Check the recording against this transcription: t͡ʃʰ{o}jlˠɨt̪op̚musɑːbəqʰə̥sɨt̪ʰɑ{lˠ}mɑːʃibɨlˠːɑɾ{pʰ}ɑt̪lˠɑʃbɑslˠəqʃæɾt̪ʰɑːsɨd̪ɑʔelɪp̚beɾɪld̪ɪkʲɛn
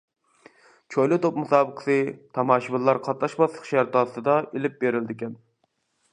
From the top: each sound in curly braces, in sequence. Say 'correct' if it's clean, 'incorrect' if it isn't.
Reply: correct, incorrect, incorrect

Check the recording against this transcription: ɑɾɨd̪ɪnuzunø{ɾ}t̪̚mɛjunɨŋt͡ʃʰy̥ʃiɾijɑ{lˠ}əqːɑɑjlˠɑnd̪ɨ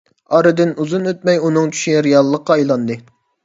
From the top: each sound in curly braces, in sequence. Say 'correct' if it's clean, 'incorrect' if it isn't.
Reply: incorrect, incorrect

